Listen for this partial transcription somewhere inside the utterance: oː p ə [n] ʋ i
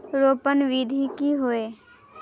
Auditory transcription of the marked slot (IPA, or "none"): n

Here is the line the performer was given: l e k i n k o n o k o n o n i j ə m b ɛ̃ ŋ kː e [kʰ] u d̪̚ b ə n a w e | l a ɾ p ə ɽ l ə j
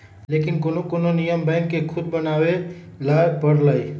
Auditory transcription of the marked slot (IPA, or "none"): kʰ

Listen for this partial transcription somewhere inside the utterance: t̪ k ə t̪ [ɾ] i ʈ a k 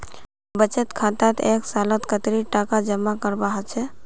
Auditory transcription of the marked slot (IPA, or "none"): ɾ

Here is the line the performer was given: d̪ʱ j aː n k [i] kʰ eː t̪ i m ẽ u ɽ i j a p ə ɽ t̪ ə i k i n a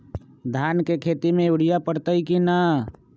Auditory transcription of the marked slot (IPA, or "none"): e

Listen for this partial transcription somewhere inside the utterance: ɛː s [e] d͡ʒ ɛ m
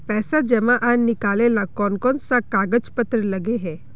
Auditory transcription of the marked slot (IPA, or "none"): a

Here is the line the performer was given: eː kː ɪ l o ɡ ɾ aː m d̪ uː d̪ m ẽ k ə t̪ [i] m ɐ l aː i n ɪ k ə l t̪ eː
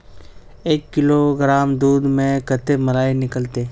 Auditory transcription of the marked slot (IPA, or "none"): e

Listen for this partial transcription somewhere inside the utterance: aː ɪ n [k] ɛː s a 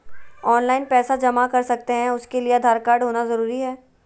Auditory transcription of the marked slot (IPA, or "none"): p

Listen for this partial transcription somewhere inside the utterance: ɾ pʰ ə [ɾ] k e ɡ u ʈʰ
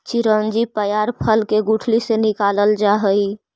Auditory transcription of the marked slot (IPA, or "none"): l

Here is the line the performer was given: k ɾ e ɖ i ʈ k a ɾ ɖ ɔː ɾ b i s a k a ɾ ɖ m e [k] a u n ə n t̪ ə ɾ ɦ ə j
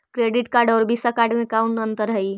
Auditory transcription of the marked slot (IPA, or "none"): k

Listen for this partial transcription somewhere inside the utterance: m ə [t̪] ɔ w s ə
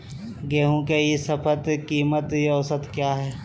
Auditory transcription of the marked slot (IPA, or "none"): t̪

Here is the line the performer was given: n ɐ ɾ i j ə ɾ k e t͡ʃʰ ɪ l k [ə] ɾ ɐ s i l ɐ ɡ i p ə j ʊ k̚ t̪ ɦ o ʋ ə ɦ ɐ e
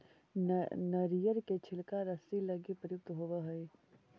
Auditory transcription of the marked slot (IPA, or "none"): a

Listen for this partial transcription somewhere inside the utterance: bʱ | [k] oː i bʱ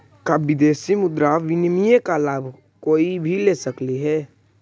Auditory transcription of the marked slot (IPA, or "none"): k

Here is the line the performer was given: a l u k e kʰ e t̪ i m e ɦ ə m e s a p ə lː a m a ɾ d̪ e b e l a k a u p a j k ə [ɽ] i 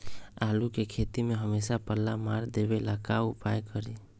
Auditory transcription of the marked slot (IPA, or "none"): ɾ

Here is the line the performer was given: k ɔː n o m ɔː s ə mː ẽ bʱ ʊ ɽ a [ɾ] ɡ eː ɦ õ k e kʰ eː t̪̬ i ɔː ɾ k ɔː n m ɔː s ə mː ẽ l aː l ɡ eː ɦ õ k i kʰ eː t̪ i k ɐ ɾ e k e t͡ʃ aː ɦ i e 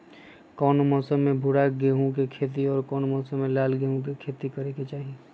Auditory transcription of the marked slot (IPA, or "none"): none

